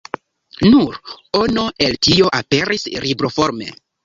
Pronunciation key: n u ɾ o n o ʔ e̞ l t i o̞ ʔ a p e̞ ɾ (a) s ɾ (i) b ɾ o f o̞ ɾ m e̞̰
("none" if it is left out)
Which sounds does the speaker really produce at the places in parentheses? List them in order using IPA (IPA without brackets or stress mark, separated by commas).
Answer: i, i